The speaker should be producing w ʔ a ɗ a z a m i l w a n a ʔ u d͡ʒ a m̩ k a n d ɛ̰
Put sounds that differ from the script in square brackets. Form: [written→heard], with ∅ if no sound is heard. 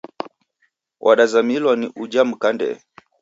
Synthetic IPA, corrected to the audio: w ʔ a ɗ a z a m i l w a n [a→i] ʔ u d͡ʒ a m̩ k a n d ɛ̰